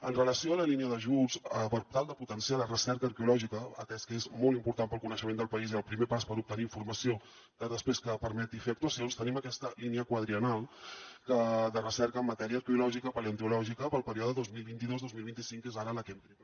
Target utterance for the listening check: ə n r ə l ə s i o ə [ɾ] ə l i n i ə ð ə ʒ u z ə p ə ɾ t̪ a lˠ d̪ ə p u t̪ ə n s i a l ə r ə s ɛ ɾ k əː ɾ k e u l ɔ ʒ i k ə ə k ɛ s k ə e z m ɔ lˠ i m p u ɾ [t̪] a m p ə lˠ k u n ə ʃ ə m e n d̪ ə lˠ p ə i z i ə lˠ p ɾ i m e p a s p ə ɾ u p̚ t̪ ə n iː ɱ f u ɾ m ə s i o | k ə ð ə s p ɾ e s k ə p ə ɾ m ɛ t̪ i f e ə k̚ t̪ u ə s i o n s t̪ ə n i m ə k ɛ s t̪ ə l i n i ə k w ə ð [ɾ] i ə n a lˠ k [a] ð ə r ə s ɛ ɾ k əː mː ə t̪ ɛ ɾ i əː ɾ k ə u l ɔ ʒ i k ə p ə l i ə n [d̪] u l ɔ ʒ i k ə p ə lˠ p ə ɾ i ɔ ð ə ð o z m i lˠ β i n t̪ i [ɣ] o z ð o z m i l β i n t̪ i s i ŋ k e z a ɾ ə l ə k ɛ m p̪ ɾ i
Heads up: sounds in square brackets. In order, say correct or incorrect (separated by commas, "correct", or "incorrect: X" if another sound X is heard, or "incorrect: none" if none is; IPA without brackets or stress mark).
incorrect: l, correct, correct, incorrect: ə, incorrect: t̪, incorrect: ð